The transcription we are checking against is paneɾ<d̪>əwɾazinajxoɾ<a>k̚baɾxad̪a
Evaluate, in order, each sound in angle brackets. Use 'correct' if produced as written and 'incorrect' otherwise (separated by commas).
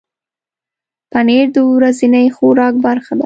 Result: correct, incorrect